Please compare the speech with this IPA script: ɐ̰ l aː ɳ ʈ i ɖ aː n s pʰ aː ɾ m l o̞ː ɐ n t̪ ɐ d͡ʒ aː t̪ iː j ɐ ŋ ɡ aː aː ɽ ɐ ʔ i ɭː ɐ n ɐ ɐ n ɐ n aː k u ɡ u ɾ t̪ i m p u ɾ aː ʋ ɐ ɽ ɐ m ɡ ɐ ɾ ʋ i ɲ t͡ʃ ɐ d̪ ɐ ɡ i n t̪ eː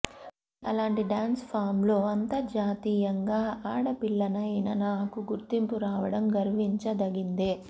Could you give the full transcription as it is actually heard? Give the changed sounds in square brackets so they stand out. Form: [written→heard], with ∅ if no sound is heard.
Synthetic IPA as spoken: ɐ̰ l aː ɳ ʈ i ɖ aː n s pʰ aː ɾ m l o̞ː ɐ n t̪ ɐ d͡ʒ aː t̪ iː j ɐ ŋ ɡ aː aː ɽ ɐ [ʔ→p] i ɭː ɐ n ɐ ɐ n ɐ n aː k u ɡ u ɾ t̪ i m p u ɾ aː ʋ ɐ ɽ ɐ m ɡ ɐ ɾ ʋ i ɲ t͡ʃ ɐ d̪ ɐ ɡ i n [t̪→d̪] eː